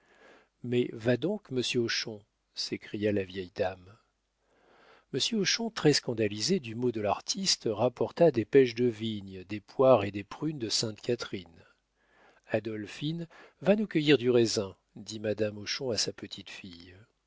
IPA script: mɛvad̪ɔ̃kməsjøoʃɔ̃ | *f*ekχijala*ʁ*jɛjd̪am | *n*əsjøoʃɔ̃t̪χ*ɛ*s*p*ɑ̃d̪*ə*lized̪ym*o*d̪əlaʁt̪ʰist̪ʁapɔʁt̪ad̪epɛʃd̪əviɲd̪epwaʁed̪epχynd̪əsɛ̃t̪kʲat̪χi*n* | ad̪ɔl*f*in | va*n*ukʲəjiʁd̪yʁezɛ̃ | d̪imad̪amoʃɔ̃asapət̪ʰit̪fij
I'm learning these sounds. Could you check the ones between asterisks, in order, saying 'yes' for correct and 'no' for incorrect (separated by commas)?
no, no, no, yes, no, no, yes, yes, yes, yes